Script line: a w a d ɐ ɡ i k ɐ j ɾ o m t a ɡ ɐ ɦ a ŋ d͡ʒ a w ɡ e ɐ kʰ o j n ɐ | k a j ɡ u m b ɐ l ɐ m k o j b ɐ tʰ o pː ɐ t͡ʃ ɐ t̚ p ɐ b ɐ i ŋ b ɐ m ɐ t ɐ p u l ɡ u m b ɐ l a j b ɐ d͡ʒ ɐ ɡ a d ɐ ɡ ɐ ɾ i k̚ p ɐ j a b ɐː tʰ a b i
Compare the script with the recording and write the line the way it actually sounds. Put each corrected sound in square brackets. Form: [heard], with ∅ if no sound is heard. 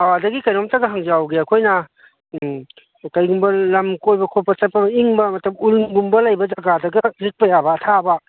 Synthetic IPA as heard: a w a d ɐ ɡ i k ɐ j ɾ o m t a ɡ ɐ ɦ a ŋ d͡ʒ a w ɡ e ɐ kʰ o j n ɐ | k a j ɡ u m b ɐ l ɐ m k o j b ɐ [kʰ] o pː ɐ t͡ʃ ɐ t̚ p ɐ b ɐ i ŋ b ɐ m ɐ t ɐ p u l ɡ u m b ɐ l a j b ɐ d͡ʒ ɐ ɡ a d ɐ ɡ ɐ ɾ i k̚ p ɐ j a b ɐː tʰ a b [a]